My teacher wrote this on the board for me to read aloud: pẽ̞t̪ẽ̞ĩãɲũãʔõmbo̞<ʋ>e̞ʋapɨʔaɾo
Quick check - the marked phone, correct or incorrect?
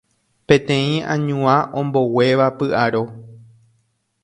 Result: incorrect